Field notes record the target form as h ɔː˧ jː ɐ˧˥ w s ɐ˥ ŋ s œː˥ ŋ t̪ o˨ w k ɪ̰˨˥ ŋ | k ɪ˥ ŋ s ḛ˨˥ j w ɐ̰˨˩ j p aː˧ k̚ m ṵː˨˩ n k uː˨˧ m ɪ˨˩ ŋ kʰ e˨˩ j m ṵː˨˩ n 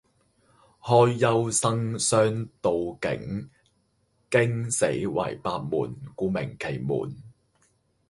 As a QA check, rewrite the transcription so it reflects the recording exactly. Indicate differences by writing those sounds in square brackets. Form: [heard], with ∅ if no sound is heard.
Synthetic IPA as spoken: h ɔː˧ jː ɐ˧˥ w s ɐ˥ ŋ s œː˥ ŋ t̪ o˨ w k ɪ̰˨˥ ŋ | k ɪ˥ ŋ s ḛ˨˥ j w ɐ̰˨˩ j p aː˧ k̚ m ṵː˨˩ n k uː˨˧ m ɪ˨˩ ŋ kʰ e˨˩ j m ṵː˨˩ n